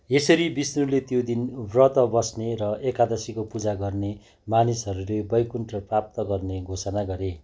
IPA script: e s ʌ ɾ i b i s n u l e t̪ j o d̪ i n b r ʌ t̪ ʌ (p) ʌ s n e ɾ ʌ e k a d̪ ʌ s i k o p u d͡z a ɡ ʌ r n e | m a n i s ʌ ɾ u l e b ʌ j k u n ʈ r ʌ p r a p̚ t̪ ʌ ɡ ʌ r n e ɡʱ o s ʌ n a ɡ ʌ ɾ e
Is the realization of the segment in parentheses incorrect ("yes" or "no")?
yes